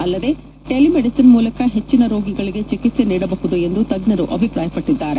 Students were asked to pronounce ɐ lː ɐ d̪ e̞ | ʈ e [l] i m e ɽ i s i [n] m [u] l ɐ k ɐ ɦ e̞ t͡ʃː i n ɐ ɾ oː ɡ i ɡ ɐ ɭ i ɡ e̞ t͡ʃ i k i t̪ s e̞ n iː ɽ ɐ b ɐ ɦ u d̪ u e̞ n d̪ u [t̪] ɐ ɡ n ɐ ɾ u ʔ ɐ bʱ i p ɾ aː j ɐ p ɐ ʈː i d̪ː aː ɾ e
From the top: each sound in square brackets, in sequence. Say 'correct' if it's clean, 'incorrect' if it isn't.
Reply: correct, correct, incorrect, correct

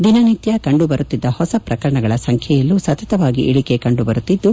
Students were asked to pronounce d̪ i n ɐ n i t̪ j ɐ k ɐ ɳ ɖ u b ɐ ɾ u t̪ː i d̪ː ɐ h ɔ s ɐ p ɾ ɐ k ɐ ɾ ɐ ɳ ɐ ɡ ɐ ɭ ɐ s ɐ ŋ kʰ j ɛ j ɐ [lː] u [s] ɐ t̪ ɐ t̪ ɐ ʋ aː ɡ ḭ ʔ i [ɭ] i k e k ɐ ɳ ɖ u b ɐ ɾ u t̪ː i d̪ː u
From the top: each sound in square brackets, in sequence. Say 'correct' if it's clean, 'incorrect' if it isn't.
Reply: correct, correct, correct

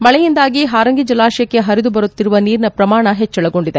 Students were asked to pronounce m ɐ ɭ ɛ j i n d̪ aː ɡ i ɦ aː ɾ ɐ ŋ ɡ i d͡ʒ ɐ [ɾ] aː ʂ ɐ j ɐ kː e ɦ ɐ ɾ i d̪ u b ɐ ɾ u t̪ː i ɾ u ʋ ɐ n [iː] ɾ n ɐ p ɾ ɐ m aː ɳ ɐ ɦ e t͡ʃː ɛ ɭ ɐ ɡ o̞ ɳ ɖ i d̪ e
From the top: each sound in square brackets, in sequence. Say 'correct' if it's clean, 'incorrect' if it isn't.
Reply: incorrect, correct

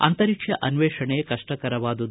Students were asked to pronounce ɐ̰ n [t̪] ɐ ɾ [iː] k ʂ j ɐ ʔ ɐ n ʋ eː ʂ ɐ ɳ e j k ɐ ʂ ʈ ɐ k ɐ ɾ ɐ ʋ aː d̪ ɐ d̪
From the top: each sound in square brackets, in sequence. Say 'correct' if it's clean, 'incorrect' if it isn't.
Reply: correct, incorrect

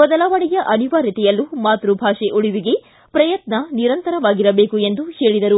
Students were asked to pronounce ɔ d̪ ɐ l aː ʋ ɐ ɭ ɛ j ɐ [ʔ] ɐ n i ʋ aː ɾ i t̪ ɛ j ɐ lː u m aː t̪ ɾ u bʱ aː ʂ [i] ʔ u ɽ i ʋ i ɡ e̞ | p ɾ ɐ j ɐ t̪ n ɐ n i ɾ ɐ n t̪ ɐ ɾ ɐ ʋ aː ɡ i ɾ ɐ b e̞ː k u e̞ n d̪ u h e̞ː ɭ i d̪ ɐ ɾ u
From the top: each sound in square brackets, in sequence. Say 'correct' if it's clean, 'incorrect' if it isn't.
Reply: correct, incorrect

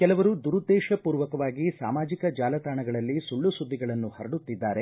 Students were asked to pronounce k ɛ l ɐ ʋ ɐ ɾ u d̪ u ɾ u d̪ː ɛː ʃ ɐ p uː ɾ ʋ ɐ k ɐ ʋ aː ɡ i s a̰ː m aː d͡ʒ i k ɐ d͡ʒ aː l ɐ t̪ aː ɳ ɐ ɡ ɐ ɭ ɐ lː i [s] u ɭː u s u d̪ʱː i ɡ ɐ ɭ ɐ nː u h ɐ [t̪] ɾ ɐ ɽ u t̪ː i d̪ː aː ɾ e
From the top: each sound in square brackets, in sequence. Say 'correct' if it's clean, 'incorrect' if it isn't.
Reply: correct, incorrect

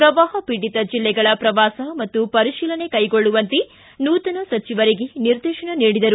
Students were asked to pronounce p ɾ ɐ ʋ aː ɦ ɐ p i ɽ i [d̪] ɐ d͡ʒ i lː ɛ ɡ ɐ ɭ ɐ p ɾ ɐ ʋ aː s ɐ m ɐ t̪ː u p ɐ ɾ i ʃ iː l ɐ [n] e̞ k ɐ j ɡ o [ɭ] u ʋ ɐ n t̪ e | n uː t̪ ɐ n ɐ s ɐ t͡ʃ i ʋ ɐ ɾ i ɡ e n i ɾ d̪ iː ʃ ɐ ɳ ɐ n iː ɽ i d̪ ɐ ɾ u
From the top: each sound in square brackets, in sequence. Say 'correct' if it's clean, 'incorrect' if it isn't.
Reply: incorrect, correct, incorrect

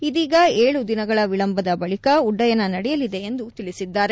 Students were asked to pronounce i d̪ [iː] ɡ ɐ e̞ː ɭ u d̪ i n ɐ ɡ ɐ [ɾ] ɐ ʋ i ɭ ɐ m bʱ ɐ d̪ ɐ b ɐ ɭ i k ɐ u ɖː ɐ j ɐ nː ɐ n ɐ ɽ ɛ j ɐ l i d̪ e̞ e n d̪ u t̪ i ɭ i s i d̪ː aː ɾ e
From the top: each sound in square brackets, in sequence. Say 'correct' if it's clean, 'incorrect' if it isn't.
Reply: correct, incorrect

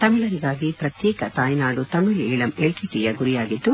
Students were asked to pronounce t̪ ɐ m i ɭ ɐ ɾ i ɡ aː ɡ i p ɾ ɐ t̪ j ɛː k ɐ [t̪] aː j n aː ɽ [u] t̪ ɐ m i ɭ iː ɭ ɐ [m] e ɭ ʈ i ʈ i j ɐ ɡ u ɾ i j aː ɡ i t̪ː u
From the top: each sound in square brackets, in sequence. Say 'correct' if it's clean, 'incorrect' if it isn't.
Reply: correct, correct, correct

